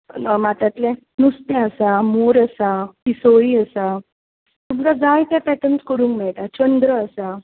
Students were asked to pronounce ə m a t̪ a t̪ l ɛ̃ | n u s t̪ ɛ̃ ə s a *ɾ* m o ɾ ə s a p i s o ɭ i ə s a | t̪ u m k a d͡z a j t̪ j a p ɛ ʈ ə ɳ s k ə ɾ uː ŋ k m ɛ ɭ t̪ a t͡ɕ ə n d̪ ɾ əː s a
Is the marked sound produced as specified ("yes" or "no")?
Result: no